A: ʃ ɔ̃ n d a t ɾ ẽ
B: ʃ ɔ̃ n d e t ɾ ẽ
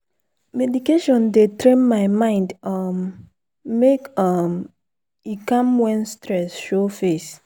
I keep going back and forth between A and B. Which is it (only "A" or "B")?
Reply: B